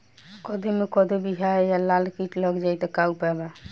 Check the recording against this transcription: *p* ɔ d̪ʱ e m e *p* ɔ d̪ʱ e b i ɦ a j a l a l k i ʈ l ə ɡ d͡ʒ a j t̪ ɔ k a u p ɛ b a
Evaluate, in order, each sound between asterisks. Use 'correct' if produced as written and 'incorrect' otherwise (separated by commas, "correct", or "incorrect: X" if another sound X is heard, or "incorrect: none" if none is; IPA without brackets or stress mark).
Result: incorrect: k, incorrect: k